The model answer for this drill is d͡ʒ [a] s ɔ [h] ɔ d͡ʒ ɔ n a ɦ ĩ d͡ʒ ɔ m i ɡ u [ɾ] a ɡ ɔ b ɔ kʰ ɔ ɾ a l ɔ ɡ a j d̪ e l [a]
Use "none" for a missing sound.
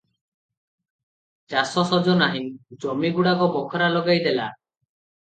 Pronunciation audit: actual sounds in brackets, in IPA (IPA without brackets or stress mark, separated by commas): a, s, ɽ, a